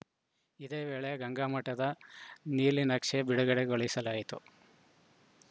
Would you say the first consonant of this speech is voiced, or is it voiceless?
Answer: voiced